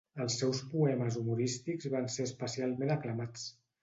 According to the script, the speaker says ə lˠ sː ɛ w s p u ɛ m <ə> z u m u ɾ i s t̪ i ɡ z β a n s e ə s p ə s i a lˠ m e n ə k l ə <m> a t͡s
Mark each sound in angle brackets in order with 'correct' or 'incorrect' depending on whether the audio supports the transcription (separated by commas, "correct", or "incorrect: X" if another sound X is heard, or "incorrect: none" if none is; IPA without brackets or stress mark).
correct, correct